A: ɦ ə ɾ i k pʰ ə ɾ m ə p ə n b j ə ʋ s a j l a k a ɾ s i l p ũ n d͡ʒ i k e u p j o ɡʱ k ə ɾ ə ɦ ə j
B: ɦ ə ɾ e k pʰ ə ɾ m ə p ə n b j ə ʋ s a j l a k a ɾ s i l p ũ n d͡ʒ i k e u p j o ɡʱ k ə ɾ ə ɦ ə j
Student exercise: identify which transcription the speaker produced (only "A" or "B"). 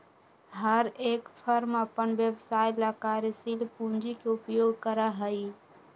B